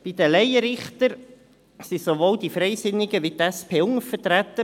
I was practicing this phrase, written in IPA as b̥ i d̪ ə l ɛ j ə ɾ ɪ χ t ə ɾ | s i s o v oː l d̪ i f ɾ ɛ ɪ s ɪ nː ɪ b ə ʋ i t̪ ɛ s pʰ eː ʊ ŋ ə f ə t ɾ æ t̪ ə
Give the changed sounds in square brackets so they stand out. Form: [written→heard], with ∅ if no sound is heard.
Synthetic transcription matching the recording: b̥ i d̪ ə l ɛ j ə ɾ ɪ χ t ə ɾ | s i s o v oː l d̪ i f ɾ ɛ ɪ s ɪ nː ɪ [b→ɡ] ə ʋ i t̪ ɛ s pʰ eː ʊ ŋ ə f ə t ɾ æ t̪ ə